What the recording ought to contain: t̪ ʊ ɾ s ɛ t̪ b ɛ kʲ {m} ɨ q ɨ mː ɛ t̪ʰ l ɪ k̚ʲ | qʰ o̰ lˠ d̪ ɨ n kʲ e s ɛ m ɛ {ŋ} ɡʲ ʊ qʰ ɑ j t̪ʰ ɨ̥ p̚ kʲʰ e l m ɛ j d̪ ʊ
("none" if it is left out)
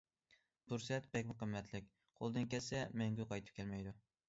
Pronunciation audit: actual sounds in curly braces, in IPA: m, ŋ

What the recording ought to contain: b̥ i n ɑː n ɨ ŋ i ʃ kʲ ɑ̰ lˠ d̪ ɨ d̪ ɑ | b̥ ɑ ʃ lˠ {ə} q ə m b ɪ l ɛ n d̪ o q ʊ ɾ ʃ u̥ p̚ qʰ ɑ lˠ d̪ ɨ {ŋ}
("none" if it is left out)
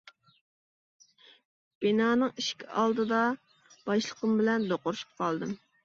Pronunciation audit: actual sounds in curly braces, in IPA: ə, m

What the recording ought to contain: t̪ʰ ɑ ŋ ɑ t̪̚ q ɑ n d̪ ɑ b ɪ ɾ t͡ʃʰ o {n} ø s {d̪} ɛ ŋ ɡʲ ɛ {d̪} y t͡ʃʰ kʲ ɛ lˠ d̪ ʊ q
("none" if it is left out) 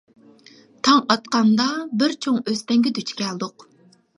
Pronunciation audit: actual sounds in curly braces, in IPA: ŋ, t̪, d̪

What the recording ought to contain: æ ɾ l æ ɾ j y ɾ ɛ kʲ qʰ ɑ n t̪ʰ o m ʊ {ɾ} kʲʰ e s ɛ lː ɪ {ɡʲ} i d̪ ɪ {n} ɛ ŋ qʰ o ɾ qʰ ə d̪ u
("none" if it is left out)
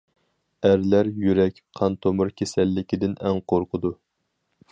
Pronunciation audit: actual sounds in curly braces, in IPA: ɾ, kʲ, n

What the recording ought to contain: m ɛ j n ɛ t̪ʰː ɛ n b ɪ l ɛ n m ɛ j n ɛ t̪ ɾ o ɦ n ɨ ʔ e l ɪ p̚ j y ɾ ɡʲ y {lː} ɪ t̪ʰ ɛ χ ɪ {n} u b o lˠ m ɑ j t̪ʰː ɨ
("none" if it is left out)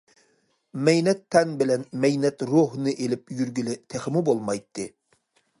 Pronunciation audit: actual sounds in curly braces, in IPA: l, m

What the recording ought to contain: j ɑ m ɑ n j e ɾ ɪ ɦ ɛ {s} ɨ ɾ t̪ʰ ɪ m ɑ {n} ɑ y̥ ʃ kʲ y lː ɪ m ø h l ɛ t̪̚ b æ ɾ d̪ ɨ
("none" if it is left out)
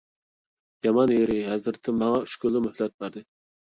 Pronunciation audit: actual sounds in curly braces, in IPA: z, ŋ

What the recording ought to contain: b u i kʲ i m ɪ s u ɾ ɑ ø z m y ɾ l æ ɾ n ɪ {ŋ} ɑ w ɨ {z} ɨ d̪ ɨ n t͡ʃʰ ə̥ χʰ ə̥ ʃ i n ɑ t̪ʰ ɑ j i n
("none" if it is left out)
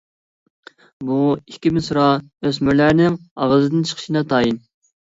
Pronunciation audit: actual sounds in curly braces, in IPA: ŋ, z

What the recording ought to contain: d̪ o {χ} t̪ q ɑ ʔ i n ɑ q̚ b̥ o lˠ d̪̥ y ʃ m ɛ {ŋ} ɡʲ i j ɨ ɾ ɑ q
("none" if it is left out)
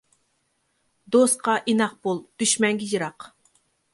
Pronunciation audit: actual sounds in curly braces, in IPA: s, ŋ

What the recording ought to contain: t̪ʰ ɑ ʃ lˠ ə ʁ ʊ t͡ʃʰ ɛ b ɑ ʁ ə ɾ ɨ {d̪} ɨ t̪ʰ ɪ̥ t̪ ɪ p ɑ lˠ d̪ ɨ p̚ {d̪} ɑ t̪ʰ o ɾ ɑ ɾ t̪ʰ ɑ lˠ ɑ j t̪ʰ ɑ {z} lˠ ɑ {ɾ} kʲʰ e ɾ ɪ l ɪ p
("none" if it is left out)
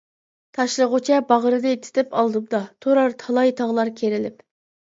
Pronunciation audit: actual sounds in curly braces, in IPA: d̪, d̪, ʁ, ɾ

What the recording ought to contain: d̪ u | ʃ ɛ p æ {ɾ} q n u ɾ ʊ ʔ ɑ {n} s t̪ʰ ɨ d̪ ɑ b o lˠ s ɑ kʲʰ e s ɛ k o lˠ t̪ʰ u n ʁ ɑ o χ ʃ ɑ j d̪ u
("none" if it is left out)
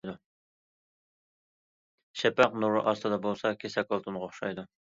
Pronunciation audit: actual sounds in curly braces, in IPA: none, none

